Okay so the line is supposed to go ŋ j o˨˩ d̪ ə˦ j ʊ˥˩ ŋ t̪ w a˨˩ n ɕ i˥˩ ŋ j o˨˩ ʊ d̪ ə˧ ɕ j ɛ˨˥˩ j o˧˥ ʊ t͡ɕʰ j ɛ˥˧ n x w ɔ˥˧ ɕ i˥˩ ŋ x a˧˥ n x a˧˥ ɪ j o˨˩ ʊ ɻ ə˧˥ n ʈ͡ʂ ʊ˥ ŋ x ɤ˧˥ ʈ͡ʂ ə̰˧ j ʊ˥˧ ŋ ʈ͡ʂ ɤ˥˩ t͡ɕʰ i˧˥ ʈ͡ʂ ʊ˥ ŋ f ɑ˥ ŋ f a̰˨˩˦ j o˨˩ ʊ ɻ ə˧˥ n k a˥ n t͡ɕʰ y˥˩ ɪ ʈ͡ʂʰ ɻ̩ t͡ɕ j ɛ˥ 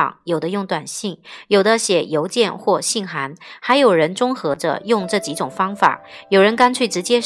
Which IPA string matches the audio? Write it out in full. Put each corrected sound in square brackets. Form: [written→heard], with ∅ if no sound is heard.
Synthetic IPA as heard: ŋ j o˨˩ d̪ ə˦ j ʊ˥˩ ŋ t̪ w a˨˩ n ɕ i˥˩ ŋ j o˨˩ ʊ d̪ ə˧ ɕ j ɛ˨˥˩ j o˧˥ ʊ [t͡ɕʰ→t͡ɕ] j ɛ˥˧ n x w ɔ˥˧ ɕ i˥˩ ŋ x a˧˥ n x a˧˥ ɪ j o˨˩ ʊ ɻ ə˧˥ n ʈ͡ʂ ʊ˥ ŋ x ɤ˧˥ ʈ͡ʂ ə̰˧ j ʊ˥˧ ŋ ʈ͡ʂ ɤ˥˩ [t͡ɕʰ→t͡ɕ] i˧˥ ʈ͡ʂ [ʊ˥→ʊ˨˩] ŋ f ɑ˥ ŋ f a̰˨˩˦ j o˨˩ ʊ ɻ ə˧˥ n k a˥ n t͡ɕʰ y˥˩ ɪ [ʈ͡ʂʰ→ʈ͡ʂ] ɻ̩ t͡ɕ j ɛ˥